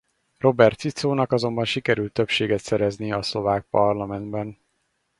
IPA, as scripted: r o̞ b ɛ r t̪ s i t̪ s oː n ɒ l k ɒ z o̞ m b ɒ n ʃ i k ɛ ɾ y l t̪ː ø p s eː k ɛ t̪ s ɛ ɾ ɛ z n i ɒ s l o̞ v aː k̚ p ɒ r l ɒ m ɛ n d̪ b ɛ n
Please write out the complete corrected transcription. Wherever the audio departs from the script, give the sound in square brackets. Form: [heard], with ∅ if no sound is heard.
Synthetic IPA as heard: r o̞ b ɛ r t̪ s i t̪ s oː n ɒ [∅] k ɒ z o̞ m b ɒ n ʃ i k ɛ ɾ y l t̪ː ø p [ʃ] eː [ɡ] ɛ t̪ s ɛ ɾ ɛ z n i ɒ s l o̞ v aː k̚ p ɒ r l ɒ m ɛ n d̪ b ɛ n